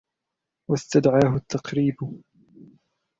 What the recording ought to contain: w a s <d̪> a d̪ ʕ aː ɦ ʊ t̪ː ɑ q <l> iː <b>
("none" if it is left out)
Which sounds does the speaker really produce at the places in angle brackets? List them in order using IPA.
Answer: t̪, ɾ, b

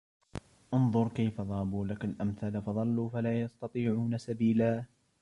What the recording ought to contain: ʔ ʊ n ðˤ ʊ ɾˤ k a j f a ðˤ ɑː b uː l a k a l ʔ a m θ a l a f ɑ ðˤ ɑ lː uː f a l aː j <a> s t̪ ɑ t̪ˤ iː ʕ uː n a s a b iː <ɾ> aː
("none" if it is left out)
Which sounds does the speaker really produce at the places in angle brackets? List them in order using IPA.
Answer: ɑ, l

